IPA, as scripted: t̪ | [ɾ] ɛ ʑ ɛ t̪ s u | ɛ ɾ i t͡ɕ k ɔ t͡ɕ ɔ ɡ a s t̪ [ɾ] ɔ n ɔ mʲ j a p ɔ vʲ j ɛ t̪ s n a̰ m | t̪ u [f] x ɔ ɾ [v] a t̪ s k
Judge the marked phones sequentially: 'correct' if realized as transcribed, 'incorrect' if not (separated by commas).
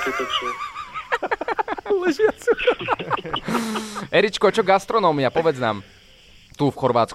incorrect, correct, correct, correct